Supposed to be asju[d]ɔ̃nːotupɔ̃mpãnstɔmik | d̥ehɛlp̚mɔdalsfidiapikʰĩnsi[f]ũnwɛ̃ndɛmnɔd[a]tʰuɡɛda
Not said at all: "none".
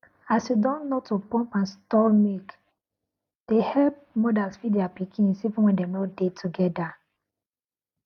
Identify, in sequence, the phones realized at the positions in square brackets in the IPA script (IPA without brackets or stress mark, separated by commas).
d, v, e